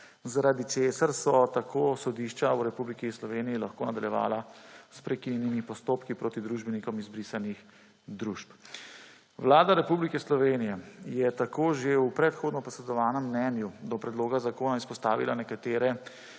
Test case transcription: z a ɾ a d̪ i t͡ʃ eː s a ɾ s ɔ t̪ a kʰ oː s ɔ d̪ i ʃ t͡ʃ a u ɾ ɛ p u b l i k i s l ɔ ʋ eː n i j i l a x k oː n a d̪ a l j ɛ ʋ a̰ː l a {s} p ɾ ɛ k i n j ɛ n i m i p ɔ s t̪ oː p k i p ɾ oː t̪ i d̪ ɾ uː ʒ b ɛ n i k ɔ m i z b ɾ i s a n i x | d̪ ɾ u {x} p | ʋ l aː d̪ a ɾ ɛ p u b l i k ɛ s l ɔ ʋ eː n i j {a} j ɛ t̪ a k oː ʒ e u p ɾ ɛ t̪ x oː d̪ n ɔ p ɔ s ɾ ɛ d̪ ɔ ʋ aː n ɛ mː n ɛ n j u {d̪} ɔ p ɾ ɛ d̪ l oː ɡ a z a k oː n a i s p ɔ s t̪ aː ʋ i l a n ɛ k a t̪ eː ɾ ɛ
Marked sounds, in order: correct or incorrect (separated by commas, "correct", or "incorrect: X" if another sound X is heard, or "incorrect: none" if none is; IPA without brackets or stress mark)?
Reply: correct, incorrect: ʃ, incorrect: ɛ, correct